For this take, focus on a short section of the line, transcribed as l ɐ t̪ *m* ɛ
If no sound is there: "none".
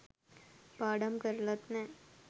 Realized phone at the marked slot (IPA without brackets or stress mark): n